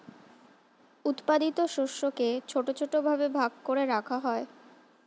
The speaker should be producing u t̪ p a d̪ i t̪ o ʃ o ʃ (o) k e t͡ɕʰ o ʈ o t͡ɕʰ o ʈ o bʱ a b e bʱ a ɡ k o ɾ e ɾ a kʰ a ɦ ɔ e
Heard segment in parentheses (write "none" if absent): o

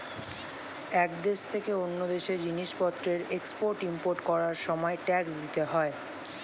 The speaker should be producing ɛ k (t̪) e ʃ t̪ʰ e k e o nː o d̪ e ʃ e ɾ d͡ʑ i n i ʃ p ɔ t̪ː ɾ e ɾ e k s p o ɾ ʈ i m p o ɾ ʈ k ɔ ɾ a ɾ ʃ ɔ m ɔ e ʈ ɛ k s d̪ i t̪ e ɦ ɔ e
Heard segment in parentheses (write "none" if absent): d̪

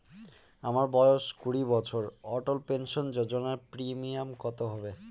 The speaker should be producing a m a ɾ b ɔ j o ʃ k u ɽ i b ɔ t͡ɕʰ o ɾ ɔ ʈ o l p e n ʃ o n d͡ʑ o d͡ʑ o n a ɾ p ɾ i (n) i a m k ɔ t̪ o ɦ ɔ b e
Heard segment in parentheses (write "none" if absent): m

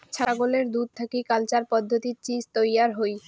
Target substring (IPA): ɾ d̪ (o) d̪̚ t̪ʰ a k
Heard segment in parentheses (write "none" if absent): u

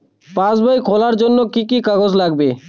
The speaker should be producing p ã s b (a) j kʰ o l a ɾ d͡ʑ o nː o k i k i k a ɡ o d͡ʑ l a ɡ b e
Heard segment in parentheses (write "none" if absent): a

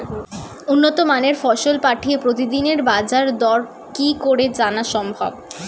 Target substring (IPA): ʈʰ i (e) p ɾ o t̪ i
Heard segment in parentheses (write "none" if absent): e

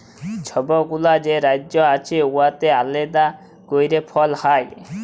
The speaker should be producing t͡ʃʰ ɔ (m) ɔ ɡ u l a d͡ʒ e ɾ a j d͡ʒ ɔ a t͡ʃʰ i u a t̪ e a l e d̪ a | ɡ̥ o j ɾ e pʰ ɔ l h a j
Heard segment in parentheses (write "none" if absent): b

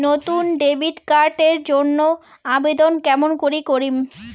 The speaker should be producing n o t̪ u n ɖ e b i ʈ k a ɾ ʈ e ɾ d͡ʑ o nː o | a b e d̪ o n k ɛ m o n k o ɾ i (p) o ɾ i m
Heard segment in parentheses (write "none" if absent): k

